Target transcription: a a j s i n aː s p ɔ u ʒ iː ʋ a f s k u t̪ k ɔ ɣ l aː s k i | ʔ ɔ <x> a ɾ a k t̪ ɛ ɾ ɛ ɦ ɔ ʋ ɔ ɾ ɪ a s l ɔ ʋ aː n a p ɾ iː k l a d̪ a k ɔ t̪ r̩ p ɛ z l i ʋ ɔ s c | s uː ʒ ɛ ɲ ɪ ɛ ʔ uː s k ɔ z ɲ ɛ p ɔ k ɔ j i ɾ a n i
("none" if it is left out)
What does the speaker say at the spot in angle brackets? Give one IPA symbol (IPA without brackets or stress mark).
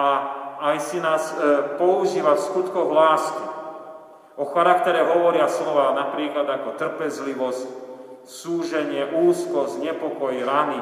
x